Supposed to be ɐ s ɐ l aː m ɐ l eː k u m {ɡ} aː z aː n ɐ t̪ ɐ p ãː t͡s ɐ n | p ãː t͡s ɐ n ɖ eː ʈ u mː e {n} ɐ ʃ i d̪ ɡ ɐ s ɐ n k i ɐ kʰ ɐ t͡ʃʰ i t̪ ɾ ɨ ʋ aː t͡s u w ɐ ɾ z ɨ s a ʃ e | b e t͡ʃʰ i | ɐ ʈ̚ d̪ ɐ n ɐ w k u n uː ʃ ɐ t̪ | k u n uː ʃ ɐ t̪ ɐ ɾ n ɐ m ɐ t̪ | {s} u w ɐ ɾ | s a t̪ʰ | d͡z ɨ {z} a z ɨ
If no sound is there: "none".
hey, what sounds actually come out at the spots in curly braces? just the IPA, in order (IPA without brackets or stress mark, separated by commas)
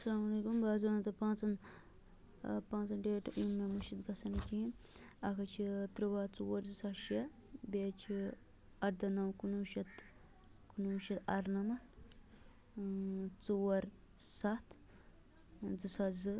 b, m, t͡s, s